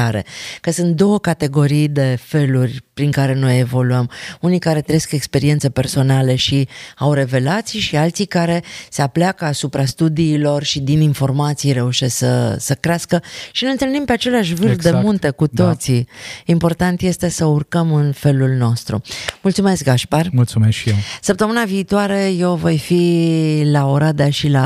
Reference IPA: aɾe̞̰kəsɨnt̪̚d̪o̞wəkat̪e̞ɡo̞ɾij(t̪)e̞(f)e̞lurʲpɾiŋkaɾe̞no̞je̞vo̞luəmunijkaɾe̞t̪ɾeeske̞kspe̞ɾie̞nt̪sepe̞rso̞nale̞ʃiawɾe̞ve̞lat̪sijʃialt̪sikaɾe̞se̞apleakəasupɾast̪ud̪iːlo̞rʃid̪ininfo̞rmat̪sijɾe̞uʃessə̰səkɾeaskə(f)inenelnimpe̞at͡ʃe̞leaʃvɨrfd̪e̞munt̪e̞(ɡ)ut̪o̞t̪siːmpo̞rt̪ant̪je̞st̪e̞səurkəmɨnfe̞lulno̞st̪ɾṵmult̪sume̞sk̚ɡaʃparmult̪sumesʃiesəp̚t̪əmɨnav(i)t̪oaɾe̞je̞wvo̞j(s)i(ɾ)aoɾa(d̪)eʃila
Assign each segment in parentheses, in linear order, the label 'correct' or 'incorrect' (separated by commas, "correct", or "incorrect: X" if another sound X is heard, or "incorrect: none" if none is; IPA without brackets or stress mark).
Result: incorrect: d̪, correct, incorrect: ʃ, incorrect: k, incorrect: iː, incorrect: f, incorrect: l, correct